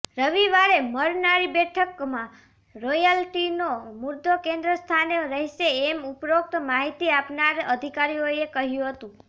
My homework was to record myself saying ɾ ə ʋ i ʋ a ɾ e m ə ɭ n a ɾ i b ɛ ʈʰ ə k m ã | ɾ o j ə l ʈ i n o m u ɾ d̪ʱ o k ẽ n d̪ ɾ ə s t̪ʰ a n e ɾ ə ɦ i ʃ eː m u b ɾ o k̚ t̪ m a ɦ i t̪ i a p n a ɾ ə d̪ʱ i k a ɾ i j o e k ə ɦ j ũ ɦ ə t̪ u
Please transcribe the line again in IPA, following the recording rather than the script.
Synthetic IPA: ɾ ə ʋ i ʋ a ɾ e m ə ɾ n a ɾ i b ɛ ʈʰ ə k m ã | ɾ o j ə l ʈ i n o m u ɾ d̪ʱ o k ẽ n d̪ ɾ ə s t̪ʰ a n e ɾ ə ɦ i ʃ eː m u p ɾ o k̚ t̪ m a ɦ i t̪ i a p n a ɾ ə d̪ʱ i k a ɾ i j o e k ə ɦ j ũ ɦ ə t̪ ũ